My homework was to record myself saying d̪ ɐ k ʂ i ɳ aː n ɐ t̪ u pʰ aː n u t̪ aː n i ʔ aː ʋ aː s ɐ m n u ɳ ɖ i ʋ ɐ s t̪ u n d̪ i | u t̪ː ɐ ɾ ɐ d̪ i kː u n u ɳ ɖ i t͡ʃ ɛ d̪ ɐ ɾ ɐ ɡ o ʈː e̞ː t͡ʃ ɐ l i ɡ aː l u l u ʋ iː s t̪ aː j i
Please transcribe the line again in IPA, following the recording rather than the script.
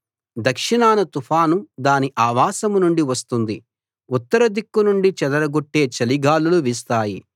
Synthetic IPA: d̪ ɐ k ʂ i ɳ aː n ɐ t̪ u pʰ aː n u d̪ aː n i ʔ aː ʋ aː s ɐ m n u ɳ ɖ i ʋ ɐ s t̪ u n d̪ i | u t̪ː ɐ ɾ ɐ d̪ i kː u n u ɳ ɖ i t͡ʃ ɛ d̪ ɐ ɾ ɐ ɡ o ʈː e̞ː t͡ʃ ɐ l i ɡ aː l u l u ʋ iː s t̪ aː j i